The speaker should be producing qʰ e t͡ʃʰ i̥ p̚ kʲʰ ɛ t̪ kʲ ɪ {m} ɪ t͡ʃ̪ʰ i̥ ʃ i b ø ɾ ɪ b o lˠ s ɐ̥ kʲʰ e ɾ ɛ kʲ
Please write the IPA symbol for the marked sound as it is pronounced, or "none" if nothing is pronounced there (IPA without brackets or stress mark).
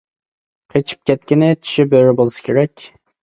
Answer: n